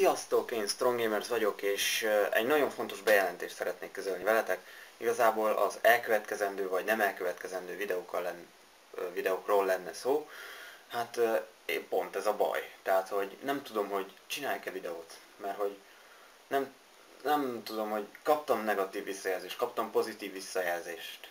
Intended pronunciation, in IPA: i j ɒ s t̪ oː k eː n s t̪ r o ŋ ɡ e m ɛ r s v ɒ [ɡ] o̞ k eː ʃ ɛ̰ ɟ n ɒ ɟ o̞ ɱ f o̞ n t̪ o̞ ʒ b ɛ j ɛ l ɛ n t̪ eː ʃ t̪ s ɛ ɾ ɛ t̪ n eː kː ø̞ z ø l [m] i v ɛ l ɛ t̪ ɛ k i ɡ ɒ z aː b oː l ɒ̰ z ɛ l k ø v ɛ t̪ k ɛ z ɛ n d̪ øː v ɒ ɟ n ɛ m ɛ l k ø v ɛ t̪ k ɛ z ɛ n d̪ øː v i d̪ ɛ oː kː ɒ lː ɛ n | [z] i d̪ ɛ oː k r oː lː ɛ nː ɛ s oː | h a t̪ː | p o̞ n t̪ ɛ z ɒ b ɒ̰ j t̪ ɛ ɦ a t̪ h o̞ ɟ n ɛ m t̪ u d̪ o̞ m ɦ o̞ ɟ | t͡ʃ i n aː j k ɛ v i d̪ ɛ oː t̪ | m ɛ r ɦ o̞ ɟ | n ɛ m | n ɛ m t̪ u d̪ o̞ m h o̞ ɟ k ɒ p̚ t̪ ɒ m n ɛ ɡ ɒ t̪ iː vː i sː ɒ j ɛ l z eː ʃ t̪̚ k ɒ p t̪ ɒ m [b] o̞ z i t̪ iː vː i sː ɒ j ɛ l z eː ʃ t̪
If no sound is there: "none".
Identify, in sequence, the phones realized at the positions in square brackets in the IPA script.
ɟ, n, v, p

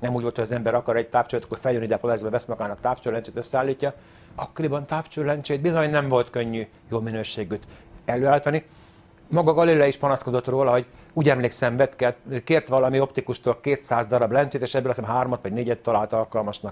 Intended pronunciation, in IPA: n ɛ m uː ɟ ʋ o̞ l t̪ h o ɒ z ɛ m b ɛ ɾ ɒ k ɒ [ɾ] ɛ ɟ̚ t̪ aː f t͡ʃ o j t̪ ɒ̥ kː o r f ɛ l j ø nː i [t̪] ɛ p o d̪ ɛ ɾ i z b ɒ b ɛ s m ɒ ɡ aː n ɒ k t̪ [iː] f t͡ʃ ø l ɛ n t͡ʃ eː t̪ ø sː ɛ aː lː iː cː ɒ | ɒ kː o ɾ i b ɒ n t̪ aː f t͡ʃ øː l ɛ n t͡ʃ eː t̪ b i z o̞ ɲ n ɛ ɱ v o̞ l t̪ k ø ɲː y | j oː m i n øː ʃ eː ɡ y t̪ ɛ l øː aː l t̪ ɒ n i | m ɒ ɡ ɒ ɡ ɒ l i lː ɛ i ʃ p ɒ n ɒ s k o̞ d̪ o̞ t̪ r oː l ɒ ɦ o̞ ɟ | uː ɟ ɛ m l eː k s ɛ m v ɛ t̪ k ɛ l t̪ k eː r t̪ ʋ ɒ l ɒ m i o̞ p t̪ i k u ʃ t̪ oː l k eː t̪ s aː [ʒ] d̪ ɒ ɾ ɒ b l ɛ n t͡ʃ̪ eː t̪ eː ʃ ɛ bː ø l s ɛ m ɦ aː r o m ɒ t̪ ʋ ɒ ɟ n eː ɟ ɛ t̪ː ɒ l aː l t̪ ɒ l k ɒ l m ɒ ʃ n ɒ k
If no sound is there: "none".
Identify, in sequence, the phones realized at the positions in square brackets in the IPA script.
ɾ, d̪, aː, z

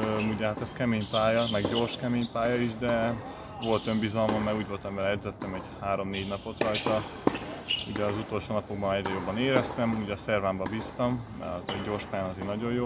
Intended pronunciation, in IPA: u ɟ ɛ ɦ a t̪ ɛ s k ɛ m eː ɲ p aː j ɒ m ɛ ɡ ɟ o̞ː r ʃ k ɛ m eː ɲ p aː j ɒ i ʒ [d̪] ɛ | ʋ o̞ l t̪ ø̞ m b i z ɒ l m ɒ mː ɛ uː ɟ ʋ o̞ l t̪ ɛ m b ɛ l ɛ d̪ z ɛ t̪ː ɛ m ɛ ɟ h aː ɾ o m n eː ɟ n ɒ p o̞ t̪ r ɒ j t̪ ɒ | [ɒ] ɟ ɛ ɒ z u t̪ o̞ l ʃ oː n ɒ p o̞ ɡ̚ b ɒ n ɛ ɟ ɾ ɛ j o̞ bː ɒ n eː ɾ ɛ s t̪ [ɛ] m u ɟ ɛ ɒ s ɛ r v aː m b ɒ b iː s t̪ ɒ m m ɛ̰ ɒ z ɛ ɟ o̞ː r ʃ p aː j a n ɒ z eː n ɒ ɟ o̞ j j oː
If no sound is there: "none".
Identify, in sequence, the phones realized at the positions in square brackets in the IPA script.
d̪, u, ɛ

